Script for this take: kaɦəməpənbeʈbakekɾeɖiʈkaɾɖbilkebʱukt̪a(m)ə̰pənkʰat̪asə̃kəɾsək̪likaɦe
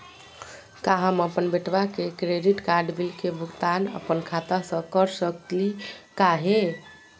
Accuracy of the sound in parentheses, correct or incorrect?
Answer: incorrect: n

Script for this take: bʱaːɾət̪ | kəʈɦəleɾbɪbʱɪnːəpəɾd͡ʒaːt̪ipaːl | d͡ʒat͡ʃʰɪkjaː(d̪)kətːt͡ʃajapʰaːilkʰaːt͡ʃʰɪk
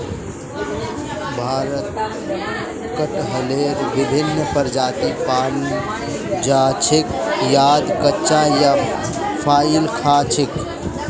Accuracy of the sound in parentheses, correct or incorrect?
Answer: correct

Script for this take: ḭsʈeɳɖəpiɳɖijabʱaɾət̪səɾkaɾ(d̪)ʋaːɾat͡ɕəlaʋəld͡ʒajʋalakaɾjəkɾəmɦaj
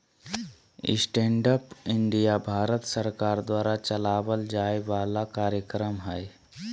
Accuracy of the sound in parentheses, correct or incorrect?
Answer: correct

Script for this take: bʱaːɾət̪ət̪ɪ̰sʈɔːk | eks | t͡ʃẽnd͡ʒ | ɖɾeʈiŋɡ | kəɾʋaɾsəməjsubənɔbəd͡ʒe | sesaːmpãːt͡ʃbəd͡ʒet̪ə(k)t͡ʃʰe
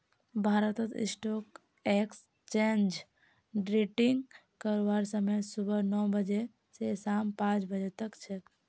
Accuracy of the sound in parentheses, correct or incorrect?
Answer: correct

